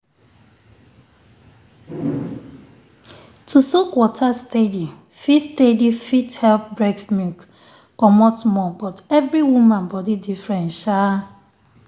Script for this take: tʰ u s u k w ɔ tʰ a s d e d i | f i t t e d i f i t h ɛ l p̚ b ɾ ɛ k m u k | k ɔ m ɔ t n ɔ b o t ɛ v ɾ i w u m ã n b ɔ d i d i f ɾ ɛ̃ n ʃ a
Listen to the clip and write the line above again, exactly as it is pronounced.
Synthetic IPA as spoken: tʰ u s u k w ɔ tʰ a s t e d i | f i s t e d i f i t h ɛ l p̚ b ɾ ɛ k m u k | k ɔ m ɔ t m ɔ b ɔ t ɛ v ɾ i w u m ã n b ɔ d i d i f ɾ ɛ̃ n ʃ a